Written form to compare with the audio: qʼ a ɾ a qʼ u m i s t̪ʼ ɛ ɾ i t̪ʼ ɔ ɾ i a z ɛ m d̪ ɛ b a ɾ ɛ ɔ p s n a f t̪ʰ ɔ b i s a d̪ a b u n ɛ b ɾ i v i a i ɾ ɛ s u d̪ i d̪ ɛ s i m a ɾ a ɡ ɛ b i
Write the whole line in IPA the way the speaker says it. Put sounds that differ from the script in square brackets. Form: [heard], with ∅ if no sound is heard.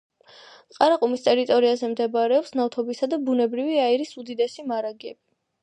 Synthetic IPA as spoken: qʼ a ɾ a qʼ u m i s t̪ʼ ɛ ɾ i t̪ʼ ɔ ɾ i a z ɛ m d̪ ɛ b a ɾ ɛ ɔ p s n a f t̪ʰ ɔ b i s a d̪ a b u n ɛ b ɾ i v i a i ɾ [i] s u d̪ i d̪ ɛ s i m a ɾ a ɡ ɛ b i